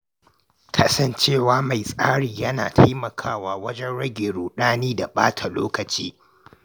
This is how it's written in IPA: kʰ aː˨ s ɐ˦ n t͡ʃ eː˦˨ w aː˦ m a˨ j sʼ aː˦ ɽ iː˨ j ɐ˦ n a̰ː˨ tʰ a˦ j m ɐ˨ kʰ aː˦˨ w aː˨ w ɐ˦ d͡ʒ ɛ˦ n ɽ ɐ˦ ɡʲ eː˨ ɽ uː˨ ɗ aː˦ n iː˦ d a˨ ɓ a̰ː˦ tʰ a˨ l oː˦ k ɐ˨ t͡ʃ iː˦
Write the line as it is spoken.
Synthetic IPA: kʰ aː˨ s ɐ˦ n t͡ʃ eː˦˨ w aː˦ m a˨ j sʼ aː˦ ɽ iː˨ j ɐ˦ n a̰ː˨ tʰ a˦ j m ɐ˨ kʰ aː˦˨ w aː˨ w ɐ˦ d͡ʒ ɛ˦ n ɽ ɐ˦ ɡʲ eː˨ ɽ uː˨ ɗ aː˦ n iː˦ d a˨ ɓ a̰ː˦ tʰ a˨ l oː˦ k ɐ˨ t͡ʃ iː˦